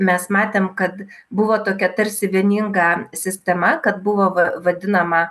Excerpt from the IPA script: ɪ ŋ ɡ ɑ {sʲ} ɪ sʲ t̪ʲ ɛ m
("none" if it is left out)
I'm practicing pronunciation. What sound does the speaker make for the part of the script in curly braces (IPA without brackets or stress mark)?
sʲ